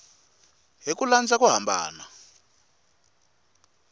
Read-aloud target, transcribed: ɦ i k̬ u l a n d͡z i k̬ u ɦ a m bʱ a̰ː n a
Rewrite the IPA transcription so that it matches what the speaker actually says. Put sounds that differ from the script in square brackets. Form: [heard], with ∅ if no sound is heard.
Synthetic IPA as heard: ɦ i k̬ u l a n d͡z [a] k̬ u ɦ a m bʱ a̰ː n a